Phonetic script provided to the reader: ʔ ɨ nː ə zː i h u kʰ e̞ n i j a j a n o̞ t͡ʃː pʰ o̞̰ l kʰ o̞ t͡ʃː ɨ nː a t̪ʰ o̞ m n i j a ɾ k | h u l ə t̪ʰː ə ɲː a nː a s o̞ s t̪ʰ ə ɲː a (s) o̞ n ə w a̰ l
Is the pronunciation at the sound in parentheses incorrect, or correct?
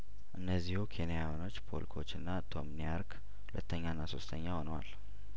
incorrect